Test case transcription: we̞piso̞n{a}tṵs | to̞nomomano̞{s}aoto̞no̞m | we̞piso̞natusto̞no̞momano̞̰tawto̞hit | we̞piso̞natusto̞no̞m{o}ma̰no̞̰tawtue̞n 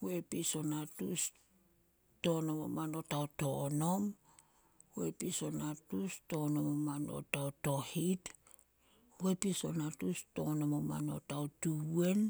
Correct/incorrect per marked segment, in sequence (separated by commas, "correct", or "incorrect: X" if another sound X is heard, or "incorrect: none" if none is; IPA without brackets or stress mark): correct, incorrect: t, correct